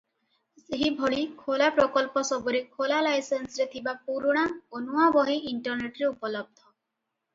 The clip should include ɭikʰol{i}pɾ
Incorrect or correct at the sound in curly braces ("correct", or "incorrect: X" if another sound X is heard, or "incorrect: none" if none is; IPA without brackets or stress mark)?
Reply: incorrect: a